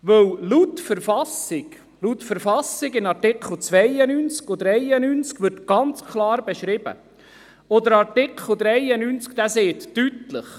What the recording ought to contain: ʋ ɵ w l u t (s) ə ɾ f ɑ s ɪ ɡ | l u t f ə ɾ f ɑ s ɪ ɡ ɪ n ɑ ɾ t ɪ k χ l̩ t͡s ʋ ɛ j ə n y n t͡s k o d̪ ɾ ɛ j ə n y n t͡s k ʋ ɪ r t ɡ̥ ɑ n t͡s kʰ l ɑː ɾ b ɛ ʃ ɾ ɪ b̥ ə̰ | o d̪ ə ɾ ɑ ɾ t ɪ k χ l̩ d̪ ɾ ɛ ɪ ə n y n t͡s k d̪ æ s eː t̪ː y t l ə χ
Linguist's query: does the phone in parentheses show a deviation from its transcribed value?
yes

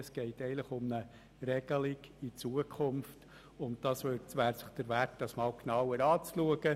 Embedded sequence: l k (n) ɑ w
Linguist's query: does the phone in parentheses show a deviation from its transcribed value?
no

